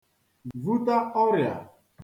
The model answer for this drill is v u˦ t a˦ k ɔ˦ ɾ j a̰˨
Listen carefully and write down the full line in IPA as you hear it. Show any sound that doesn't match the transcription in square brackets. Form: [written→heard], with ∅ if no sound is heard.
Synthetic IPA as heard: v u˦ t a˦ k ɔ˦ ɾ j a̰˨